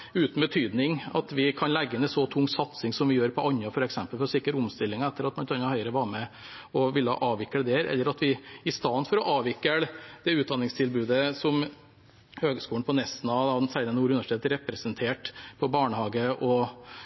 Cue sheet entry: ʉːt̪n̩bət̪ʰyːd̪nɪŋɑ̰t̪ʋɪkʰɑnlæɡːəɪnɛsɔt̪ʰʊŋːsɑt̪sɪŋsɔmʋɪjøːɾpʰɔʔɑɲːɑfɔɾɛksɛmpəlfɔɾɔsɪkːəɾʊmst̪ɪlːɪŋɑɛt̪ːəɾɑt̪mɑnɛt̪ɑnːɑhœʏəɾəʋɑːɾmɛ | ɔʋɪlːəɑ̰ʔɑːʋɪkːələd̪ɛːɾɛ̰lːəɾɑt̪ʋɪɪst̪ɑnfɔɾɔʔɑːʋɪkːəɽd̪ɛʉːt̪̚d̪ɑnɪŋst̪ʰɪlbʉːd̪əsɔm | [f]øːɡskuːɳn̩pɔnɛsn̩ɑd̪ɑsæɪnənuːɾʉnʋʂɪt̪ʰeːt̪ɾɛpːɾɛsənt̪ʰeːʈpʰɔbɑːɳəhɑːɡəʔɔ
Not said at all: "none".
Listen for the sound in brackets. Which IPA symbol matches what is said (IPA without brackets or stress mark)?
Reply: h